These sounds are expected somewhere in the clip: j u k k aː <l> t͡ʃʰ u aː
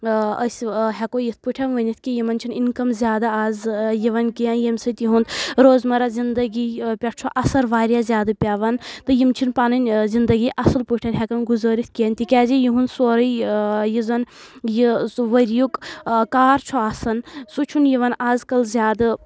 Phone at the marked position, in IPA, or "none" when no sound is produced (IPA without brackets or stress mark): ɾ